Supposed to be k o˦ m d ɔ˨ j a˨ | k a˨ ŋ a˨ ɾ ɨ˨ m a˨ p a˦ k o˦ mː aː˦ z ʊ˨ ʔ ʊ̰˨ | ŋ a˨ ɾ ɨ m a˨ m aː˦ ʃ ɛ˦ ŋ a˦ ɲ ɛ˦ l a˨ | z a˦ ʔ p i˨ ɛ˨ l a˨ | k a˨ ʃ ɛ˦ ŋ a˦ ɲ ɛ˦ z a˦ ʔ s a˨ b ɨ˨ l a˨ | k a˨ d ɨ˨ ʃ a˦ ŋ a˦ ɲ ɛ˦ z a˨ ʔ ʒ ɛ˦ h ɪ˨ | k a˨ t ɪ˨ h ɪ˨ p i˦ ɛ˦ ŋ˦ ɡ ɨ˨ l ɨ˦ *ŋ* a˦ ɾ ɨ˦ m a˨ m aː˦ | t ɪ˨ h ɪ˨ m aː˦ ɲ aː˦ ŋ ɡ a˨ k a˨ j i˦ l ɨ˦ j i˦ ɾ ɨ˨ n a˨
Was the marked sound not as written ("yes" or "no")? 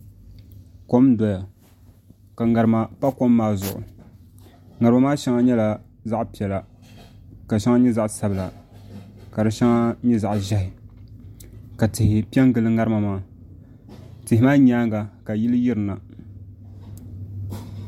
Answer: no